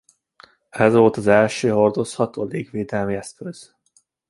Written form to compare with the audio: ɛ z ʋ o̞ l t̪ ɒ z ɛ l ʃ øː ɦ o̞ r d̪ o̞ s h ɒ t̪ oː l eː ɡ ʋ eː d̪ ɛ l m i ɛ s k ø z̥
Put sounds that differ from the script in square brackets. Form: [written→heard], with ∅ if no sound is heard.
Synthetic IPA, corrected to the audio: ɛ z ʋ o̞ l t̪ ɒ z ɛ l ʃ øː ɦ o̞ r d̪ o̞ s h ɒ t̪ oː l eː ɡ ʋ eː d̪ ɛ l m i ɛ s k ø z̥